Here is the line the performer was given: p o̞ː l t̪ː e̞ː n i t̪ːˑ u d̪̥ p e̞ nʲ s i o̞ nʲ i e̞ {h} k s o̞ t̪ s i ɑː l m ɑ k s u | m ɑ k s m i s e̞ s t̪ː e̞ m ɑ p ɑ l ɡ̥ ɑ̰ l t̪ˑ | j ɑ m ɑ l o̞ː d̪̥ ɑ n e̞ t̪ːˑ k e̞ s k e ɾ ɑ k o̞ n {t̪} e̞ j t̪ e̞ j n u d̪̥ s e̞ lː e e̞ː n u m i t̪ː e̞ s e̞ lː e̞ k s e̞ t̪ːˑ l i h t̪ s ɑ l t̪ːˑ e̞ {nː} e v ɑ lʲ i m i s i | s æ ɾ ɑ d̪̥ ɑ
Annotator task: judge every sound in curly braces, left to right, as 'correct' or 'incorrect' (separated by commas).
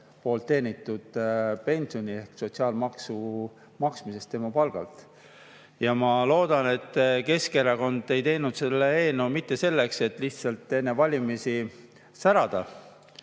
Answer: correct, incorrect, correct